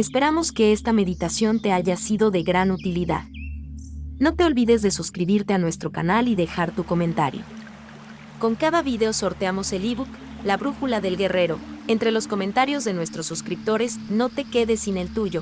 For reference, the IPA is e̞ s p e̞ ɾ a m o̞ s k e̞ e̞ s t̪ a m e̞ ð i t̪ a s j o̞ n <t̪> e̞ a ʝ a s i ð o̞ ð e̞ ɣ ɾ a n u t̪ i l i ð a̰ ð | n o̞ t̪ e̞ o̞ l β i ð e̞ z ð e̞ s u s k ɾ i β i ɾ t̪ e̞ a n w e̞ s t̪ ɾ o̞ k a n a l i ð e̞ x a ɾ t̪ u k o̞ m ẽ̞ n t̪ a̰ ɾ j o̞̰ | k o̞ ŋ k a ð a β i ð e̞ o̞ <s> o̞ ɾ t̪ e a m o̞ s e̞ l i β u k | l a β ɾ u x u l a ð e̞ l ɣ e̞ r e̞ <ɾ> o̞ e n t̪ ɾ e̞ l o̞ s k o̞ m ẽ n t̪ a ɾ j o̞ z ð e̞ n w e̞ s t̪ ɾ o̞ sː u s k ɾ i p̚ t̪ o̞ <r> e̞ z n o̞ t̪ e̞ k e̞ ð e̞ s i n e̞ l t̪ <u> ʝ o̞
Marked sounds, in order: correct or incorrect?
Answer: correct, correct, correct, incorrect: ɾ, correct

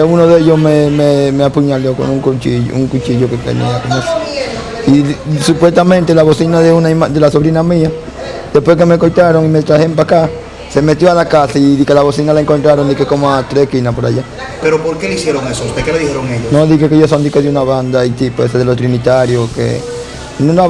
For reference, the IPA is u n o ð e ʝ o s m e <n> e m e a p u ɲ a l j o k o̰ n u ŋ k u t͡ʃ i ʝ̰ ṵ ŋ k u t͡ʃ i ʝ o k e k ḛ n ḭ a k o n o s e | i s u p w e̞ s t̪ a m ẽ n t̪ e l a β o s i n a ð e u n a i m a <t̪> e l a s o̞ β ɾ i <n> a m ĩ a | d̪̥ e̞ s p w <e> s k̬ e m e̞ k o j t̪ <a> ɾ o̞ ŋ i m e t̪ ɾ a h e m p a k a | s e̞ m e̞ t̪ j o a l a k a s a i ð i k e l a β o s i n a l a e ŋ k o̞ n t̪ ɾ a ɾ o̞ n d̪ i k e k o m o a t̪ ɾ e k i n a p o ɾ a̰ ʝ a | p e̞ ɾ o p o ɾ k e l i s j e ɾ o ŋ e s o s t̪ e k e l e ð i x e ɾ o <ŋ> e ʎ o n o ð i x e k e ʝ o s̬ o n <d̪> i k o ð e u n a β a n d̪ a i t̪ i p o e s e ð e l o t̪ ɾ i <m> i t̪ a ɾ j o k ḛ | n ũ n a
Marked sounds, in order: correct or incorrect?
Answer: incorrect: m, incorrect: d̪, correct, correct, correct, correct, correct, incorrect: n

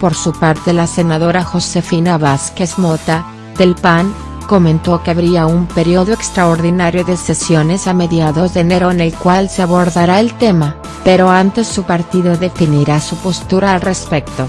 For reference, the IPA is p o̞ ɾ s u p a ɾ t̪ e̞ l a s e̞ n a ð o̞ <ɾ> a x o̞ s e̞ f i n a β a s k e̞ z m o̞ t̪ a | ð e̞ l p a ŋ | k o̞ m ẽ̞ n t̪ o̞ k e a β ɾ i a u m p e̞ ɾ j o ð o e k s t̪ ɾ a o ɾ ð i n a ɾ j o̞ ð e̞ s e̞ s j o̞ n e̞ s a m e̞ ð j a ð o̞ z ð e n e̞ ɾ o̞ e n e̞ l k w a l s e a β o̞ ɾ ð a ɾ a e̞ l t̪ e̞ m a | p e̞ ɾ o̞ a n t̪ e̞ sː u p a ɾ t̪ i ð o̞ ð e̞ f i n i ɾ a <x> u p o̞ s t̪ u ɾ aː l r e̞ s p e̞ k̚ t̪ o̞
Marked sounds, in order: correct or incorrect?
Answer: correct, incorrect: s

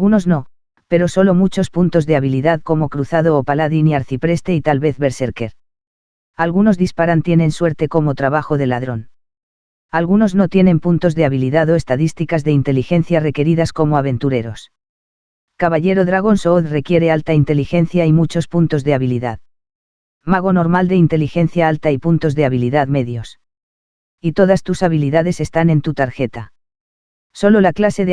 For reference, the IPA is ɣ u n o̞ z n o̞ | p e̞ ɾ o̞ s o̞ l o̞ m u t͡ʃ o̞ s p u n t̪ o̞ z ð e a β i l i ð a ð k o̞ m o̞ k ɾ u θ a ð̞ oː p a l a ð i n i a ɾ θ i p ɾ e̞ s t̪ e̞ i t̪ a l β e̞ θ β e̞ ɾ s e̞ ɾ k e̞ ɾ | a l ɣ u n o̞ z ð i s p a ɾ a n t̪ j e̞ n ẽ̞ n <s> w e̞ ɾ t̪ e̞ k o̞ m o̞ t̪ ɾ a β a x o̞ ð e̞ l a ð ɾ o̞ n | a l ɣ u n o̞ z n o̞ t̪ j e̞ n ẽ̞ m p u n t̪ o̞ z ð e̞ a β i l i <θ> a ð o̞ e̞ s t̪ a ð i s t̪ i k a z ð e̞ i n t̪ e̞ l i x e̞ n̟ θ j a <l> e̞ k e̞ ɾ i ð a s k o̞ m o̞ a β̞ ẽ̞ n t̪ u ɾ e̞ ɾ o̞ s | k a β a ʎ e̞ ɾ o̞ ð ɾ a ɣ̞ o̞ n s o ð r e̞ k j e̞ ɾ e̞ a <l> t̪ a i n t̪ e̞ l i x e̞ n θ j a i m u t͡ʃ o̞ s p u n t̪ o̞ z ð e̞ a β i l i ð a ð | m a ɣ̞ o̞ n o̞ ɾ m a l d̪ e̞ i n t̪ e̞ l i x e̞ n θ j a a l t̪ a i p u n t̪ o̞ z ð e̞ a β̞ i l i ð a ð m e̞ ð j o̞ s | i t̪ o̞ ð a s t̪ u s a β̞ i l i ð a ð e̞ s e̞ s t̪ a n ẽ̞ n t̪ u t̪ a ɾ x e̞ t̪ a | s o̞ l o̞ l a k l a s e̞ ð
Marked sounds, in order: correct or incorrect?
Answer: correct, incorrect: ð, incorrect: r, correct

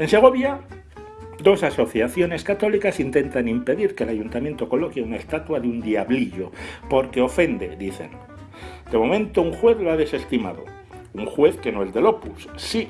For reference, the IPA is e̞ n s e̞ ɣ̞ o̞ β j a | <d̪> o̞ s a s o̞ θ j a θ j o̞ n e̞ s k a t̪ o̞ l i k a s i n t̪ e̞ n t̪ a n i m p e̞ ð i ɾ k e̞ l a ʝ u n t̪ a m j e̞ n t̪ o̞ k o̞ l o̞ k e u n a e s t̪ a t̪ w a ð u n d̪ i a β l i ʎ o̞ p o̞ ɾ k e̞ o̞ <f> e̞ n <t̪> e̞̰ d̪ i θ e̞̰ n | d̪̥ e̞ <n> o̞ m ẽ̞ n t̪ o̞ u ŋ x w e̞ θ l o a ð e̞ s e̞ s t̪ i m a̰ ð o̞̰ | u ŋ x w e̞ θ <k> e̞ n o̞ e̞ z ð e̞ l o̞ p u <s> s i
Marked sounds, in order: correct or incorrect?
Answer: correct, correct, incorrect: d̪, incorrect: m, correct, correct

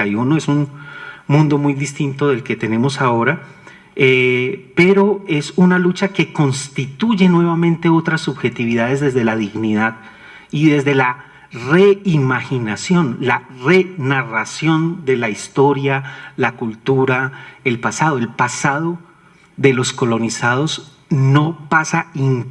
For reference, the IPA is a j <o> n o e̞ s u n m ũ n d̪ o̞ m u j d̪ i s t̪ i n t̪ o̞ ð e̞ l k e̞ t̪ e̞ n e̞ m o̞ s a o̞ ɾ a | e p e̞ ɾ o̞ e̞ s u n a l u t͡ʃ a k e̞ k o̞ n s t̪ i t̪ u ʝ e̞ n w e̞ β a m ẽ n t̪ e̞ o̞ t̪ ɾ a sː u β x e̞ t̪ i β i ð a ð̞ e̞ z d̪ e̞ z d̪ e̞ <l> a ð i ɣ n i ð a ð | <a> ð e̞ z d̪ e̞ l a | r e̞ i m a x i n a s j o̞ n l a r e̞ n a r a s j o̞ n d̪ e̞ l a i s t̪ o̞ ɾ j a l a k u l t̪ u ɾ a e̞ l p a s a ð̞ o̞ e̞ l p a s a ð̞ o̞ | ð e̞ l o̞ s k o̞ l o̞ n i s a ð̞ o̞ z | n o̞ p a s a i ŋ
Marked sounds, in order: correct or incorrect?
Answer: incorrect: u, correct, incorrect: i

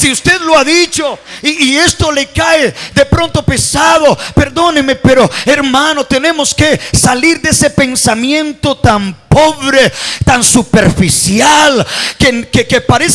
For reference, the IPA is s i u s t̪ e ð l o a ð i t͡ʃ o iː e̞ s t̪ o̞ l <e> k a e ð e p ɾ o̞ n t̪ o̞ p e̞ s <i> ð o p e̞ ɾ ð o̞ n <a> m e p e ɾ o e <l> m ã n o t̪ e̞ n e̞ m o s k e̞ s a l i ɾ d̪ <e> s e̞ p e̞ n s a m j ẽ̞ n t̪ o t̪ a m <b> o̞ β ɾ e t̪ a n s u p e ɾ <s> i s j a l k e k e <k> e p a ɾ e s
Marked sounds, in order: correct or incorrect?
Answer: correct, incorrect: a, incorrect: e, incorrect: ɾ, correct, incorrect: p, incorrect: f, correct

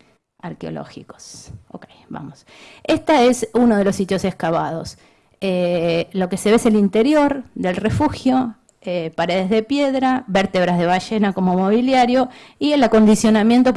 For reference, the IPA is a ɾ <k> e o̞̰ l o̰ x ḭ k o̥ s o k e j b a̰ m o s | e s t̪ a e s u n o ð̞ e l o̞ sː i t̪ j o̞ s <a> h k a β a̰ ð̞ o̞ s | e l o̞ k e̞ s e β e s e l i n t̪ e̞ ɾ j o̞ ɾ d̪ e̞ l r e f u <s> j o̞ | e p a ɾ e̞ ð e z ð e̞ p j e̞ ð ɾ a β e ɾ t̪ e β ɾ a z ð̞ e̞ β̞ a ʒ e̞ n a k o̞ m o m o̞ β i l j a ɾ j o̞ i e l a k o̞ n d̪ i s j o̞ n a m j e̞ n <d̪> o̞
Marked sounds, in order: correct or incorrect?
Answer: correct, incorrect: e, incorrect: x, incorrect: t̪

